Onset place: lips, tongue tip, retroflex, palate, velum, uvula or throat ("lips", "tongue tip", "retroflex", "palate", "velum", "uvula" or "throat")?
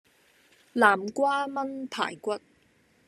tongue tip